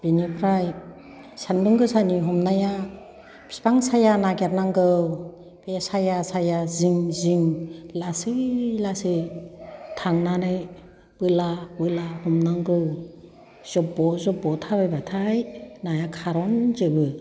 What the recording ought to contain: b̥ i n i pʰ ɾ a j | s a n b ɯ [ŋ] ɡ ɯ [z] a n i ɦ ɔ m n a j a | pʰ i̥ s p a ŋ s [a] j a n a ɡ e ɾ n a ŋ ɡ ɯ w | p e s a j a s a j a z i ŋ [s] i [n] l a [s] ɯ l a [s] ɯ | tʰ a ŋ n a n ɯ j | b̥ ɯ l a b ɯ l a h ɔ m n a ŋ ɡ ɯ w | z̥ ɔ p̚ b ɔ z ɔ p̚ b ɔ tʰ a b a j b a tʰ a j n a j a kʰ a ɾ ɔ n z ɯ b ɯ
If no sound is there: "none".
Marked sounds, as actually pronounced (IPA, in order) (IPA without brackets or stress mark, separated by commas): ŋ, s, a, z, ŋ, s, s